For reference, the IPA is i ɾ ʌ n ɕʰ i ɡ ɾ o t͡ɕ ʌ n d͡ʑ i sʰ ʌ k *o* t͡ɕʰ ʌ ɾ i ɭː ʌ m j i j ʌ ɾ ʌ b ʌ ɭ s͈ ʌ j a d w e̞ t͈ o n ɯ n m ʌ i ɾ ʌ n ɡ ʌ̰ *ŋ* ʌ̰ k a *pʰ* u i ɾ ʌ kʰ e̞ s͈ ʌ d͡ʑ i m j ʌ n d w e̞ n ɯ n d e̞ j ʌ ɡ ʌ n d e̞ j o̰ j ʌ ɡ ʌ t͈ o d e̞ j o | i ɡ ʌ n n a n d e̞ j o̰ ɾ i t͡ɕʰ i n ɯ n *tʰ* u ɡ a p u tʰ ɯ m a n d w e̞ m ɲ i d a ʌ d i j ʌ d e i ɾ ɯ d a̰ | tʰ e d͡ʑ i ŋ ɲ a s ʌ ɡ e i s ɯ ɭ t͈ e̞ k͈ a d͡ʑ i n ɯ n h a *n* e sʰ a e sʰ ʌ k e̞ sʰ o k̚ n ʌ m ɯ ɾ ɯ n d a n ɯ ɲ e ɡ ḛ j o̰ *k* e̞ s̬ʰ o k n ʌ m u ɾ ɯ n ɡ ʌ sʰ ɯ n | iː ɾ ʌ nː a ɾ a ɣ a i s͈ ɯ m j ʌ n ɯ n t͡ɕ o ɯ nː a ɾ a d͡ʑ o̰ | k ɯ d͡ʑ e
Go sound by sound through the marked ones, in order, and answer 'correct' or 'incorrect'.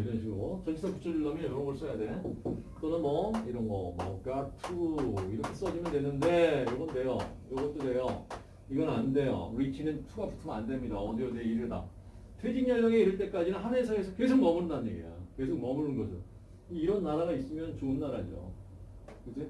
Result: incorrect, incorrect, incorrect, correct, correct, correct

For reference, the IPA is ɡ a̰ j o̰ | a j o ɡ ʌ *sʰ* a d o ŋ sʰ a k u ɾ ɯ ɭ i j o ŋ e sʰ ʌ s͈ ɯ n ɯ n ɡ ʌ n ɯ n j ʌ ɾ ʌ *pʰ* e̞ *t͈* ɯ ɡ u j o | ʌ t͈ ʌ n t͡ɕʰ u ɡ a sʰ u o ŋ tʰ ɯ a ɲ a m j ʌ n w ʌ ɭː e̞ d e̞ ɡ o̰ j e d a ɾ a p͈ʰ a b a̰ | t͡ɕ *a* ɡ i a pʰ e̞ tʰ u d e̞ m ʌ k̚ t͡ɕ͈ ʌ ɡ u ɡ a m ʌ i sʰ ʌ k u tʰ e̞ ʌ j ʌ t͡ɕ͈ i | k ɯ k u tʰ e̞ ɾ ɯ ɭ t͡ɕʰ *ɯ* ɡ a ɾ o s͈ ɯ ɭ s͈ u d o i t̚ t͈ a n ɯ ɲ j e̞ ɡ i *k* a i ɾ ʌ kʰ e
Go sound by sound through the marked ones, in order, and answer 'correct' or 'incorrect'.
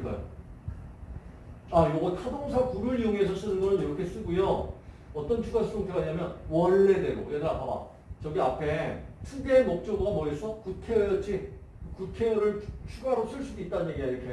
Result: incorrect, incorrect, incorrect, incorrect, incorrect, incorrect

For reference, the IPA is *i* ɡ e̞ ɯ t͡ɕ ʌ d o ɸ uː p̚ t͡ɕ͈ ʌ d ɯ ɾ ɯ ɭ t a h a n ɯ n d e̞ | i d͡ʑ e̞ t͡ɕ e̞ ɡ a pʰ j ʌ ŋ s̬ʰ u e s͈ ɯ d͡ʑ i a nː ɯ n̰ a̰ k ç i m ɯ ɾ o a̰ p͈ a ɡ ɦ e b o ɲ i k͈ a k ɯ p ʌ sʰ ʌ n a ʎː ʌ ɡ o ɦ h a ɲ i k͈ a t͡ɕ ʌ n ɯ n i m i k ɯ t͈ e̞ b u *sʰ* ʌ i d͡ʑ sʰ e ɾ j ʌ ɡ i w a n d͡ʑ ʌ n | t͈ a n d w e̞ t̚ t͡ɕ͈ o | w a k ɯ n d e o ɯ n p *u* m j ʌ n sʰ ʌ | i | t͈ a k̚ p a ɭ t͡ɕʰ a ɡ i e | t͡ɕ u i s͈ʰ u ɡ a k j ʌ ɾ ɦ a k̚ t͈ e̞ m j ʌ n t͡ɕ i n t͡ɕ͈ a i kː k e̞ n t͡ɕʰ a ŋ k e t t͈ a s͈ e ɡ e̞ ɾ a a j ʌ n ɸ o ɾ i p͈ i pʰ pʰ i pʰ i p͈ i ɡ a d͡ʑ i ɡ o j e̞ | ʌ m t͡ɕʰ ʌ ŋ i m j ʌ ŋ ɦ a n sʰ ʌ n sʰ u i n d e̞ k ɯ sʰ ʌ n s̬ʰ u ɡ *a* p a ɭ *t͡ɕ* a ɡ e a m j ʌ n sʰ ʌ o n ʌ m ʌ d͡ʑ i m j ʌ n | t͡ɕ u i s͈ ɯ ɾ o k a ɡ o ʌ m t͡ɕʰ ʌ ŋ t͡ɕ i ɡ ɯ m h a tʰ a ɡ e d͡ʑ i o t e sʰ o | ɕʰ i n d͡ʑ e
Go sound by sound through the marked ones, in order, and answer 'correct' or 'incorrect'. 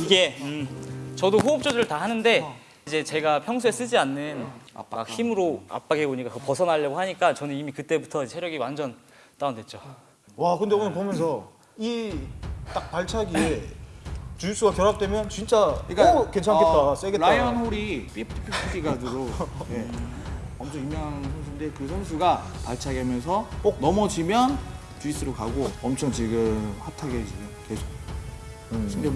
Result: correct, incorrect, incorrect, correct, incorrect

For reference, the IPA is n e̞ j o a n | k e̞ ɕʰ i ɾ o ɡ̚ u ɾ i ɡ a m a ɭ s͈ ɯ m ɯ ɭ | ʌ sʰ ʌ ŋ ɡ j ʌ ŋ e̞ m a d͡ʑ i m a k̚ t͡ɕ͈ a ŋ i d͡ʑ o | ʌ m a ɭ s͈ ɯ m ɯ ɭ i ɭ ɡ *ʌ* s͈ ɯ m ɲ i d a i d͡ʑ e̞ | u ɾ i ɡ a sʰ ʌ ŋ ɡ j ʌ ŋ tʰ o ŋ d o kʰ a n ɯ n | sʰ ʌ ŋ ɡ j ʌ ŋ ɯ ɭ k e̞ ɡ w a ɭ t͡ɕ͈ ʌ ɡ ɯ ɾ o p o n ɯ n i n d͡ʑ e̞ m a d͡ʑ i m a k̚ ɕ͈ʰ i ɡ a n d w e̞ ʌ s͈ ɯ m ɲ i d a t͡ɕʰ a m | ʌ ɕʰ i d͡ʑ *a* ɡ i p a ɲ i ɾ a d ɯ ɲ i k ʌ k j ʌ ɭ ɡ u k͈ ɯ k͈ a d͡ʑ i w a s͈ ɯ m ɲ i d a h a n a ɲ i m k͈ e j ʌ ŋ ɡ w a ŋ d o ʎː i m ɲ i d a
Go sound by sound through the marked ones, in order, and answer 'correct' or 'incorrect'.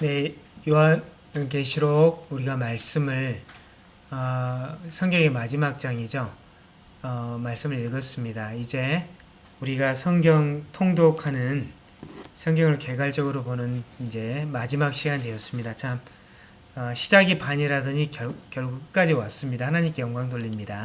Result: correct, correct

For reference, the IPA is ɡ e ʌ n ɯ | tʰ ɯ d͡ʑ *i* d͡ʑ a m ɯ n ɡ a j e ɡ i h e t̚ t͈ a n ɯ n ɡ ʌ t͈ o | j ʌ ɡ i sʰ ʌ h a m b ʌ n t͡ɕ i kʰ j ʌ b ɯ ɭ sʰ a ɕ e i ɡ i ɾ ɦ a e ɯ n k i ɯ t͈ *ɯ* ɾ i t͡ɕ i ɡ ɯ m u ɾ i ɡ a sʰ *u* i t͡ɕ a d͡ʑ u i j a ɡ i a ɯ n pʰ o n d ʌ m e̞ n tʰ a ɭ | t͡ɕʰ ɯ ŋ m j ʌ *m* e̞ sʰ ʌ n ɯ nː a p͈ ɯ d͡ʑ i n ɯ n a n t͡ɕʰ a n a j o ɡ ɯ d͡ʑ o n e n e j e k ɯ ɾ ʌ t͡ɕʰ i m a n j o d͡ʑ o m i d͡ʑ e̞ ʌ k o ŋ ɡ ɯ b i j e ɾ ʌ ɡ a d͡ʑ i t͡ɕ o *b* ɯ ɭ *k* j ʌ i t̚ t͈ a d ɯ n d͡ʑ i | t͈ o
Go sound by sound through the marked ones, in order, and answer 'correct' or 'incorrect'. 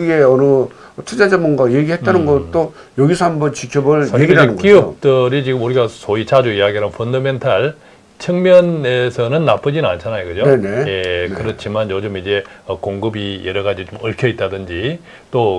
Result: incorrect, correct, incorrect, incorrect, incorrect, incorrect

